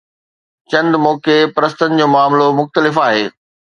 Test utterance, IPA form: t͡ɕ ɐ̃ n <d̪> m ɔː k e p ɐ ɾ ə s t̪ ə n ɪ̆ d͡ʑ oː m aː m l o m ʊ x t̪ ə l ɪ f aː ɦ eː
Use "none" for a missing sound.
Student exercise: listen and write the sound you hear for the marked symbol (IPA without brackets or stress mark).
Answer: d̪